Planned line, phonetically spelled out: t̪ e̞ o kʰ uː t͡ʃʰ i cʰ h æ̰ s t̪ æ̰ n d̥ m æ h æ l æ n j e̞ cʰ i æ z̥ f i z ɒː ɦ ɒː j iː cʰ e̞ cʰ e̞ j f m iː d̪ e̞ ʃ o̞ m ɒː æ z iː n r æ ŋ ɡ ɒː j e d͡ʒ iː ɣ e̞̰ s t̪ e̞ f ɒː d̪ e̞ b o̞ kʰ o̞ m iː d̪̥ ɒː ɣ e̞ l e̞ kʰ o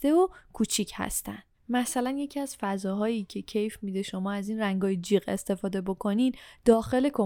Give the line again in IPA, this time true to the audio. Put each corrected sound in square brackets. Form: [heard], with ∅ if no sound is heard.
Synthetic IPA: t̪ e̞ o kʰ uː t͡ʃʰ i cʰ h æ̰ s t̪ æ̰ n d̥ m æ [s] æ l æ n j e̞ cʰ i æ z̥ f [æ] z ɒː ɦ ɒː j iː cʰ e̞ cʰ e̞ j f m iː d̪ e̞ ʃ o̞ m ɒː æ z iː n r æ ŋ ɡ ɒː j e d͡ʒ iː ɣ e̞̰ s t̪ e̞ f ɒː d̪ e̞ b o̞ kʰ o̞ [n] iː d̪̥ ɒː [x] e̞ l e̞ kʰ o